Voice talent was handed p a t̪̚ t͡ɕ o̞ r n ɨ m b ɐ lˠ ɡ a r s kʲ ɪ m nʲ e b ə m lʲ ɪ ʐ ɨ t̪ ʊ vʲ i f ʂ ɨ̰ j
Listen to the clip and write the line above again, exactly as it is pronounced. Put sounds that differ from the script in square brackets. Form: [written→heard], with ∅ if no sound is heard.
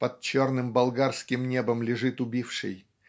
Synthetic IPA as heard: p [a→ɐ] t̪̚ t͡ɕ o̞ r n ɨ m b ɐ lˠ ɡ a r s kʲ ɪ m nʲ e b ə m lʲ ɪ ʐ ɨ t̪ ʊ [vʲ→bʲ] i f ʂ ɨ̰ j